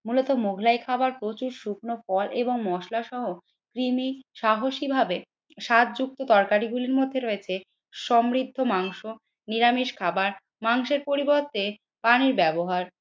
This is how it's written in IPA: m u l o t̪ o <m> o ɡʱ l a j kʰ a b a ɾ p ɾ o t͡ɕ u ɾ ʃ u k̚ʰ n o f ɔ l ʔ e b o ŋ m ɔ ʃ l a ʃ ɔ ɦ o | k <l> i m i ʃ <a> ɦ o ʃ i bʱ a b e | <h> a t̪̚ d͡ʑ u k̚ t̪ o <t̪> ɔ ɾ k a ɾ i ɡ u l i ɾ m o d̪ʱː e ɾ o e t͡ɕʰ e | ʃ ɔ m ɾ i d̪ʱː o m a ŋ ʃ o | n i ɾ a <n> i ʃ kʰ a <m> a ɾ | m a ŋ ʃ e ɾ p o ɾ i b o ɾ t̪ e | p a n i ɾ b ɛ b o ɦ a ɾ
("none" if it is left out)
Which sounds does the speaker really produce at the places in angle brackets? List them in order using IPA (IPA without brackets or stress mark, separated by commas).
m, ɾ, a, ʃ, t̪, m, b